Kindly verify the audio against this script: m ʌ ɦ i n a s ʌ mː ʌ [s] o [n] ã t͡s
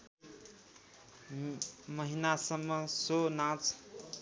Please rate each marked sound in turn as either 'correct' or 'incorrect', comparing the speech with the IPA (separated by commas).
correct, correct